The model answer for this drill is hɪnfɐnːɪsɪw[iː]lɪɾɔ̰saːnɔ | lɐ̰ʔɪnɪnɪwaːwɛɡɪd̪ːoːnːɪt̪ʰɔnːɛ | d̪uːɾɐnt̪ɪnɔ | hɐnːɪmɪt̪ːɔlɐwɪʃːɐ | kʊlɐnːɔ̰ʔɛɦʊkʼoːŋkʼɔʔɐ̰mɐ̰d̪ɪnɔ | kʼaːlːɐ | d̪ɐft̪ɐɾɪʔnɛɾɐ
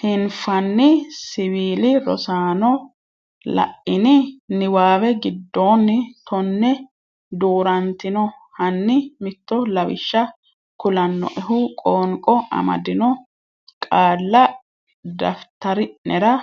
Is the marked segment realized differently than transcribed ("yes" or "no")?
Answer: no